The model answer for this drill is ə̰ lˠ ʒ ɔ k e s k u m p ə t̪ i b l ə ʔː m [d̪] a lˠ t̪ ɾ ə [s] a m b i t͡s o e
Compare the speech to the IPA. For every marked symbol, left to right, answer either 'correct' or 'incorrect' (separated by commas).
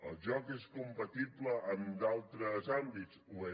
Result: correct, incorrect